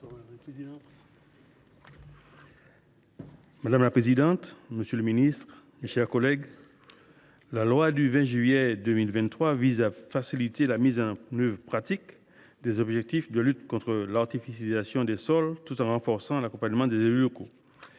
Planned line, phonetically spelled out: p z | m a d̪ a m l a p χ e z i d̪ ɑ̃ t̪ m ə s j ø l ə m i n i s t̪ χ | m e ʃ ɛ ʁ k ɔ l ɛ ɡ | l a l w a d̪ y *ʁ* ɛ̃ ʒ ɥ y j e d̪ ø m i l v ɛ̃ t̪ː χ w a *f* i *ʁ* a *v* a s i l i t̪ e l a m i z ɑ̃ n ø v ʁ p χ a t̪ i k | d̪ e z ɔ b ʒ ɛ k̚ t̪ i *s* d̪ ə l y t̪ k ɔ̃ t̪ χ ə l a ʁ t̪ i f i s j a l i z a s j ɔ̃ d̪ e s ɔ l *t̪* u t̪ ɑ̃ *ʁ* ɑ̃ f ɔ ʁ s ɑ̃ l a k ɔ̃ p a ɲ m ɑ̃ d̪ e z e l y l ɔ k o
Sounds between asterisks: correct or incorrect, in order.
incorrect: v, incorrect: v, incorrect: z, incorrect: f, incorrect: f, correct, correct

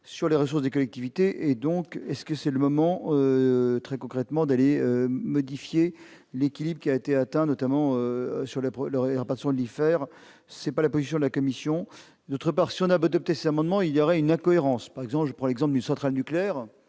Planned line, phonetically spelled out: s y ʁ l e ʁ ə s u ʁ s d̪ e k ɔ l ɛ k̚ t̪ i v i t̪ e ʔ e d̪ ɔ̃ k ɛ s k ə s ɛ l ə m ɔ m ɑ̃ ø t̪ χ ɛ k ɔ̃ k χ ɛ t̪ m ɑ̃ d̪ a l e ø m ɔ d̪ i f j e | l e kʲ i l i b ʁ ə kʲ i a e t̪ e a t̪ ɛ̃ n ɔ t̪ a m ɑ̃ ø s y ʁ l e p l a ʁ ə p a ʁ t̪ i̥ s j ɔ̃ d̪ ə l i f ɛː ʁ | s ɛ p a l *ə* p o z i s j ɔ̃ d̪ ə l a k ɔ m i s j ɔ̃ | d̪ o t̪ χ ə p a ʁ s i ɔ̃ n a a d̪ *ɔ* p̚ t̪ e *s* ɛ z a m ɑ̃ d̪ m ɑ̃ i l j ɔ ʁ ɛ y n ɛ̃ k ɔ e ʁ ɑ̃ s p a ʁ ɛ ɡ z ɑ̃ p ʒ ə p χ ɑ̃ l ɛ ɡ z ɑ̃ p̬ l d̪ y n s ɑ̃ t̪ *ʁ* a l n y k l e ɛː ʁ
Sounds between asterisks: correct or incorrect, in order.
incorrect: a, correct, correct, incorrect: χ

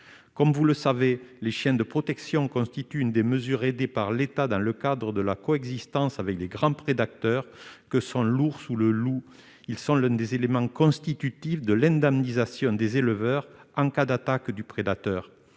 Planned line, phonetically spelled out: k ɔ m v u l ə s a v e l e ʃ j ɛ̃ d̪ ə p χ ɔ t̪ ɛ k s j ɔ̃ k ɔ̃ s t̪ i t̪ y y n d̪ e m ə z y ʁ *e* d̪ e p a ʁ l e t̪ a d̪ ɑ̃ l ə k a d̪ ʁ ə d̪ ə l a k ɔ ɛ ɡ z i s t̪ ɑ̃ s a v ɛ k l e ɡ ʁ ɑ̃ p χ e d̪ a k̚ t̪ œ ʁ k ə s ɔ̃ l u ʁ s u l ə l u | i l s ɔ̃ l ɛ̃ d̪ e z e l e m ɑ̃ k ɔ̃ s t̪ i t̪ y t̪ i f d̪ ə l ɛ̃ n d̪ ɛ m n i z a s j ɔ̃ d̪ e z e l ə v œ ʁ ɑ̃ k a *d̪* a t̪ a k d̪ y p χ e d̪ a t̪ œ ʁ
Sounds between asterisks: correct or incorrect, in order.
correct, correct

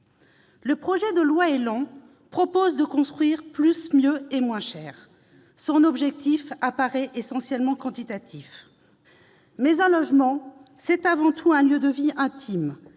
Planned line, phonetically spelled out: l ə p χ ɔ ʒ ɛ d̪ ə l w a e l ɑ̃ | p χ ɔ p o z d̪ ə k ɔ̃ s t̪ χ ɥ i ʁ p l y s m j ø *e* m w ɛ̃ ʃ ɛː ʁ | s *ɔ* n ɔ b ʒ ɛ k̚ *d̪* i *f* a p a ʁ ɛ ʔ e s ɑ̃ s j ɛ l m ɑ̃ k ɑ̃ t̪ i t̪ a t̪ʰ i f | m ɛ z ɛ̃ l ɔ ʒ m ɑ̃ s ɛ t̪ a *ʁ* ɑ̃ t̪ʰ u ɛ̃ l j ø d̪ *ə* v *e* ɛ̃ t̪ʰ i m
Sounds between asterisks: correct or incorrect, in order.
correct, incorrect: ɔ̃, incorrect: t̪, correct, incorrect: v, correct, incorrect: i

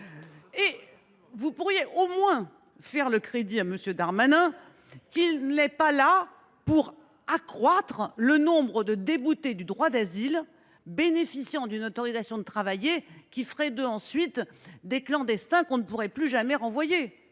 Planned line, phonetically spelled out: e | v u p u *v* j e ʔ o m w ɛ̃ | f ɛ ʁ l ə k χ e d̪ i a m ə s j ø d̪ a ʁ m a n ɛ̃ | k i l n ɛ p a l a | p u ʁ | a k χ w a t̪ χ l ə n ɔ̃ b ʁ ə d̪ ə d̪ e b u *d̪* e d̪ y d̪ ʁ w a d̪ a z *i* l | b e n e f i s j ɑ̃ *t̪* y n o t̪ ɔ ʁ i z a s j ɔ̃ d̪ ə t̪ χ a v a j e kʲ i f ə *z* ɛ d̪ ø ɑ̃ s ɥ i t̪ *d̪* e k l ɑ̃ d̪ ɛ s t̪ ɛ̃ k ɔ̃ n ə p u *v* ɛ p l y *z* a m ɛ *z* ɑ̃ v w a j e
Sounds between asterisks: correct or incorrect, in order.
incorrect: ʁ, incorrect: t̪, correct, incorrect: d̪, incorrect: ʁ, correct, incorrect: ʁ, incorrect: ʒ, incorrect: ʁ

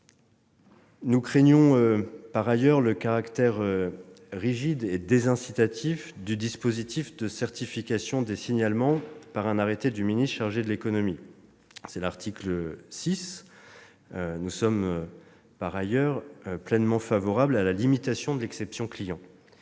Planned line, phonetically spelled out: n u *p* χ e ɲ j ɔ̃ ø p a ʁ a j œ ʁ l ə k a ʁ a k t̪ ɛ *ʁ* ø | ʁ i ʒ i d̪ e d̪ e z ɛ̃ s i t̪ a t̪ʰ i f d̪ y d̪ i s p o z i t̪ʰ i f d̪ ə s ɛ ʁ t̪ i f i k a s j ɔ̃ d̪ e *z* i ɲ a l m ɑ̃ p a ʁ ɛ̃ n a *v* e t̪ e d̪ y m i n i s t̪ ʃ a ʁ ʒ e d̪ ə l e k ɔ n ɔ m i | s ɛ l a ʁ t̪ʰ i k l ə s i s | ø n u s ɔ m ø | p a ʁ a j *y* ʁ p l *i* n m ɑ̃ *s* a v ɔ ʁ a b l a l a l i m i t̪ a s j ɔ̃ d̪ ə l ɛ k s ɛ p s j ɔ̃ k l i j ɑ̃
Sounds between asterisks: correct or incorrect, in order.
incorrect: k, correct, incorrect: s, incorrect: ʁ, incorrect: œ, incorrect: ɛ, incorrect: f

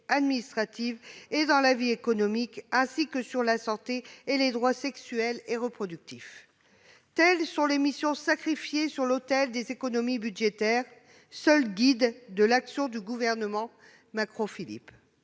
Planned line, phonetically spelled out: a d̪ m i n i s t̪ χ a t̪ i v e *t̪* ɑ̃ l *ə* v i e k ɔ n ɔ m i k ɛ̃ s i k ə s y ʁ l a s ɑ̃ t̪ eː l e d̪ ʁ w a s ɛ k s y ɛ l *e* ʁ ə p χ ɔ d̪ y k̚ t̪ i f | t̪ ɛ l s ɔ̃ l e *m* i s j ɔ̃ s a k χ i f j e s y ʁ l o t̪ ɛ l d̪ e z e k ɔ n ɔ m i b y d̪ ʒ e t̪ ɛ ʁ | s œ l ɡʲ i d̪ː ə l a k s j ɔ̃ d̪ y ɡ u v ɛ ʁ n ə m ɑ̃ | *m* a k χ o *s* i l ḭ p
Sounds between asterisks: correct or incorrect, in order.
incorrect: d̪, incorrect: a, correct, correct, correct, incorrect: f

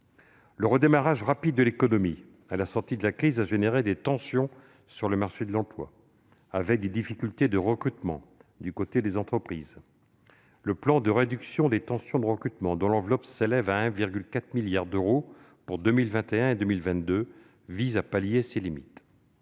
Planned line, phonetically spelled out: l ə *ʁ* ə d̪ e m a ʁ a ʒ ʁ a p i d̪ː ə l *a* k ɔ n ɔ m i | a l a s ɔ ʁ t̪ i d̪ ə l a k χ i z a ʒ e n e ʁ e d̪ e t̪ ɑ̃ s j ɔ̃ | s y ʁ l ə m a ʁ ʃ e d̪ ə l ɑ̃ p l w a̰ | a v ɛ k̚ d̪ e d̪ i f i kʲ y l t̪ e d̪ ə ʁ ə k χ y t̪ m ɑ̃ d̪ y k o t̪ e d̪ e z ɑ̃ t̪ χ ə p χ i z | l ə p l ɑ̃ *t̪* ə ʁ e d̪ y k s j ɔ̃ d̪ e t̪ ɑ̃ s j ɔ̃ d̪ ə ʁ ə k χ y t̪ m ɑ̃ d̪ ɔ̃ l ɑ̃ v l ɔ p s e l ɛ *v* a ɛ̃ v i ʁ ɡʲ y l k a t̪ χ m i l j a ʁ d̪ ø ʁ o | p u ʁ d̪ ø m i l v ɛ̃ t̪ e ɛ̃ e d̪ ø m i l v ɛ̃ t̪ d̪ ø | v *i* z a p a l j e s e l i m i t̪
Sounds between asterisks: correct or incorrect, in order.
correct, incorrect: e, incorrect: d̪, correct, correct

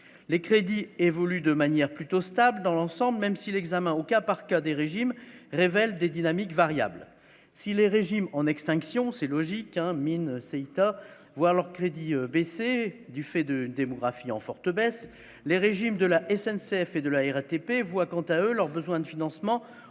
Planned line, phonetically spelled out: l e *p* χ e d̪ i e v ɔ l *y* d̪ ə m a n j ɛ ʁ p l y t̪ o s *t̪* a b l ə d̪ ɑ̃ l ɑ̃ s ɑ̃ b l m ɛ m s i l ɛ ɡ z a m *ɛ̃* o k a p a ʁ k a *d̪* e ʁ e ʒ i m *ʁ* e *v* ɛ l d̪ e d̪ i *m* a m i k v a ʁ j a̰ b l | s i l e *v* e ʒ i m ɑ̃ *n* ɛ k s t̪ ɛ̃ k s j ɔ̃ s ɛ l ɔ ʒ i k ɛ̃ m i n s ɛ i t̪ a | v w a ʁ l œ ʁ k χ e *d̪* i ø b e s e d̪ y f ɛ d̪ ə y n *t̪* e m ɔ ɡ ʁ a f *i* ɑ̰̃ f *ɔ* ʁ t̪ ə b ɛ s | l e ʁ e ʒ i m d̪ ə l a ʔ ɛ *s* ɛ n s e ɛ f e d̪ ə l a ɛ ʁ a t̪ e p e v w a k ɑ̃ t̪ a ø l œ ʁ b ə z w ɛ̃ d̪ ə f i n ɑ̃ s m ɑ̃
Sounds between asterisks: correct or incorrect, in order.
incorrect: k, correct, correct, correct, correct, correct, correct, incorrect: n, incorrect: ʁ, correct, correct, incorrect: d̪, correct, correct, correct

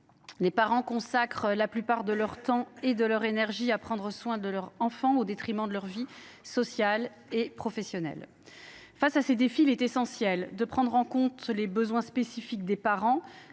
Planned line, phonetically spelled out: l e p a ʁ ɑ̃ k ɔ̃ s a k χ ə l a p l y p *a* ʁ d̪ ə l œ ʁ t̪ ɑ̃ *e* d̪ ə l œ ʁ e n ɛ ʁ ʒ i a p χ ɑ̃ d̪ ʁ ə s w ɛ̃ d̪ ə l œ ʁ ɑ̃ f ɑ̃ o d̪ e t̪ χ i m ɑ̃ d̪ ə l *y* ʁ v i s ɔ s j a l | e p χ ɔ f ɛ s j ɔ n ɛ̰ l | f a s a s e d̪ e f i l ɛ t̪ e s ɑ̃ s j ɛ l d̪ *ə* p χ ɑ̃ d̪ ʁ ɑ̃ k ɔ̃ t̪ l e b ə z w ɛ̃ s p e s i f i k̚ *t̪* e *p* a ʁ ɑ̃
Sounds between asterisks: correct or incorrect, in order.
correct, correct, incorrect: œ, correct, incorrect: d̪, correct

